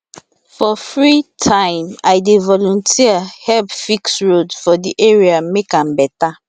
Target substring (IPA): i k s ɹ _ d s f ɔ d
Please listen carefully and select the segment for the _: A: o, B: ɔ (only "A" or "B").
A